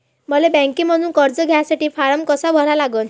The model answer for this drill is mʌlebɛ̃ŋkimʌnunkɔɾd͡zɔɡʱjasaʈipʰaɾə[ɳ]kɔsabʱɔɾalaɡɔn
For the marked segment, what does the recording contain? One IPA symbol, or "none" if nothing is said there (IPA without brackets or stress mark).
m